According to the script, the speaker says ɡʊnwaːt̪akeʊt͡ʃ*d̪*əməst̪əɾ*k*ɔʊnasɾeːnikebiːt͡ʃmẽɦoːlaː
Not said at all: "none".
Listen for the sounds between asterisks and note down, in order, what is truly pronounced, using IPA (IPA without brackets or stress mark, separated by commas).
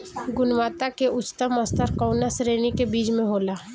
t̪, k